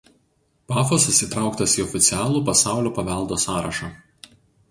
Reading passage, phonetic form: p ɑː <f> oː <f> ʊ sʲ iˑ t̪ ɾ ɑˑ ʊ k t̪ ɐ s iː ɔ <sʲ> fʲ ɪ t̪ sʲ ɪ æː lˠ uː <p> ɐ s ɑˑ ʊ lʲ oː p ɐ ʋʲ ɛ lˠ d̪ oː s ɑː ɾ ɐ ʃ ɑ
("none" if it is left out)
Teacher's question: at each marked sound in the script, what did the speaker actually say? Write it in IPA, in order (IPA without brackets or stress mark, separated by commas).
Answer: f, s, none, p